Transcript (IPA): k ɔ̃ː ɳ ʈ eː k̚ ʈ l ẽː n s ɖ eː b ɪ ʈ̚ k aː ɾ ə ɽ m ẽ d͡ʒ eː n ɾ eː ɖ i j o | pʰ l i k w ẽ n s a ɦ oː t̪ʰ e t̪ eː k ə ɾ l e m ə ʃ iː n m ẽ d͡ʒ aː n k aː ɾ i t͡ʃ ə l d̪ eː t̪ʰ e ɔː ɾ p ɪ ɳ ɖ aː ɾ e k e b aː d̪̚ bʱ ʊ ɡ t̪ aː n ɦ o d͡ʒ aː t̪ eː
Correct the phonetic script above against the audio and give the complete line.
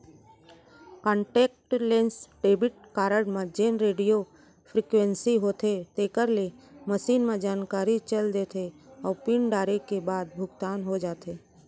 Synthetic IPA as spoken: k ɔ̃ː ɳ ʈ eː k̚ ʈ l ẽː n s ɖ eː b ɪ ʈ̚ k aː ɾ ə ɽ m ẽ d͡ʒ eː n ɾ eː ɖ i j o | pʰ ɾ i k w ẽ n s i ɦ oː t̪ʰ e t̪ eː k ə ɾ l e m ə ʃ iː n m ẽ d͡ʒ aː n k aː ɾ i t͡ʃ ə l d̪ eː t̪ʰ e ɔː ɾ p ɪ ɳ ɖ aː ɾ e k e b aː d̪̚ bʱ ʊ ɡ t̪ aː n ɦ o d͡ʒ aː t̪ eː